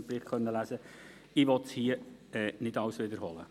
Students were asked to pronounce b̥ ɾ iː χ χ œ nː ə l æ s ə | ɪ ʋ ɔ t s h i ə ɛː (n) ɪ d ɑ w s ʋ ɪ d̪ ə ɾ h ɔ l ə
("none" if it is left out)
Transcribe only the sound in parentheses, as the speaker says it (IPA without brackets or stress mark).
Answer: n